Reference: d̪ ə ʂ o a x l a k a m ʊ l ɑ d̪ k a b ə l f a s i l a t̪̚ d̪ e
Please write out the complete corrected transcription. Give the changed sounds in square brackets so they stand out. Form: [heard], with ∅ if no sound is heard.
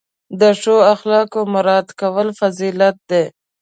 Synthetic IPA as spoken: d̪ ə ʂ o a x l [ɑ] k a m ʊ [ɾ] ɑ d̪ k a [w] ə l f a [z] i l a t̪̚ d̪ e